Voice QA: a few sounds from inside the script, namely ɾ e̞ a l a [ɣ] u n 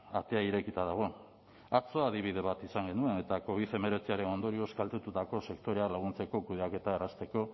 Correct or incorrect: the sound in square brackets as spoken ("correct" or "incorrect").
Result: correct